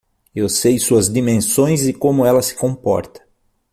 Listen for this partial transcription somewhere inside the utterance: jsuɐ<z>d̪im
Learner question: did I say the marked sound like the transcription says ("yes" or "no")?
yes